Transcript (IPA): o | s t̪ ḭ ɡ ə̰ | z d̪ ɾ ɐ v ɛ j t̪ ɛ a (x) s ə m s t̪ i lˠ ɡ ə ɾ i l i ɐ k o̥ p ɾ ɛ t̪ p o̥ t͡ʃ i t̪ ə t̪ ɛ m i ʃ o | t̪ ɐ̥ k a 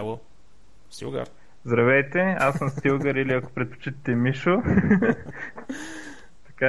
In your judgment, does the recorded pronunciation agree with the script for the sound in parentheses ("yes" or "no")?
no